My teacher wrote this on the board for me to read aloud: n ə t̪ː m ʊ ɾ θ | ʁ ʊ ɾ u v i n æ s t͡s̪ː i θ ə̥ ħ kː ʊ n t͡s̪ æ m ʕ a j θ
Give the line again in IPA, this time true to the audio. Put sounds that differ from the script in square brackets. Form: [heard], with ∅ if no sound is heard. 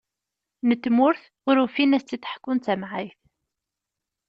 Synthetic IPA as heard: n ə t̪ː m ʊ ɾ θ | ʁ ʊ ɾ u [f] i n æ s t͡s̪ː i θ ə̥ ħ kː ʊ n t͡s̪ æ m ʕ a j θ